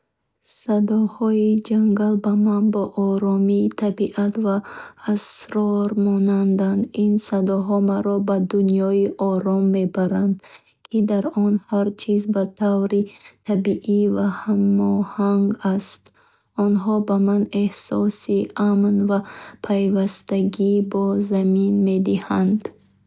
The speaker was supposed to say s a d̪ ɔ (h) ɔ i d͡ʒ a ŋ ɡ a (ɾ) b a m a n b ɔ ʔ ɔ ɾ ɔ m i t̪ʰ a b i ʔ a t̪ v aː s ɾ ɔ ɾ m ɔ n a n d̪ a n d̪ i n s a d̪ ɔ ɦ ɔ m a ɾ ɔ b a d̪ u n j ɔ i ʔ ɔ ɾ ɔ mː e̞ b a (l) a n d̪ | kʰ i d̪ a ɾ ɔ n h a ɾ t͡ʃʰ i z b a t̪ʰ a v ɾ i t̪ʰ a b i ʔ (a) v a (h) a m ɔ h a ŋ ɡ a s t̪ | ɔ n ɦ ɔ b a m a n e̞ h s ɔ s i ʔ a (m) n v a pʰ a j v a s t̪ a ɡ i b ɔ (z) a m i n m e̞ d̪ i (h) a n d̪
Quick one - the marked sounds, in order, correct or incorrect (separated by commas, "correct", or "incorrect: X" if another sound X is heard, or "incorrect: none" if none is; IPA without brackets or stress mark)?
correct, incorrect: l, incorrect: ɾ, incorrect: i, correct, correct, correct, correct